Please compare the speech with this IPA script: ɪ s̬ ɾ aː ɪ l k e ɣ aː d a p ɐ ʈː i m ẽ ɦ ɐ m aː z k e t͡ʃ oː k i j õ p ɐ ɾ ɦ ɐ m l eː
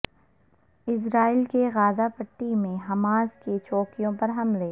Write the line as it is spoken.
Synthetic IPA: ɪ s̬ ɾ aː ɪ l k e ɣ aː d a p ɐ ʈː i m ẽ ɦ ɐ m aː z k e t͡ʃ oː k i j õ p ɐ ɾ ɦ ɐ m l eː